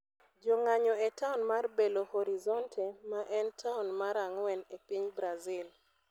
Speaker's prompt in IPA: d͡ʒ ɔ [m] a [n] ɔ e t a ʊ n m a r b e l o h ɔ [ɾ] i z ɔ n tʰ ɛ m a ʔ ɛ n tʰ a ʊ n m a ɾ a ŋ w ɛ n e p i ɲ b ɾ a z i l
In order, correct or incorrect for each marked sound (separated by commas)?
incorrect, incorrect, correct